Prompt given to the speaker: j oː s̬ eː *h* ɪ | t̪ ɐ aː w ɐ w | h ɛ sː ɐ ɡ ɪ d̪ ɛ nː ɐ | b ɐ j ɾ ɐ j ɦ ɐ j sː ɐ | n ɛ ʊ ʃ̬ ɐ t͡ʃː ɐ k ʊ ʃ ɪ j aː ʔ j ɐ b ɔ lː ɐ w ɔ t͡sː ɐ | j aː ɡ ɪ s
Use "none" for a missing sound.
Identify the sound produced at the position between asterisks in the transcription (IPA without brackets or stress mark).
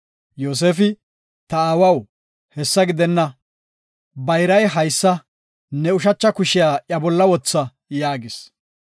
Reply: f